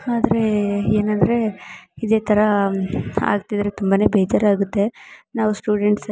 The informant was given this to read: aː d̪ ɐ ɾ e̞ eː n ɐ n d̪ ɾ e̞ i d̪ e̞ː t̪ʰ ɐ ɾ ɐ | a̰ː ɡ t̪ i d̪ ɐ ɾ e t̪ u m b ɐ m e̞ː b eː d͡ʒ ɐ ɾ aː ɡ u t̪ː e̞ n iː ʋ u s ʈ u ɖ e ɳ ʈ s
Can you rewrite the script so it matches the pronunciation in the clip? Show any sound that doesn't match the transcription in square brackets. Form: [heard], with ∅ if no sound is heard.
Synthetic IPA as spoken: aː d̪ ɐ ɾ e̞ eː n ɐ n d̪ ɾ e̞ i d̪ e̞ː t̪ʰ ɐ ɾ ɐ | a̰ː ɡ t̪ i d̪ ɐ ɾ e t̪ u m b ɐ [n] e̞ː b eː d͡ʒ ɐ ɾ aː ɡ u t̪ː e̞ n [aː] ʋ u s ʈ [uː] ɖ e ɳ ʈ s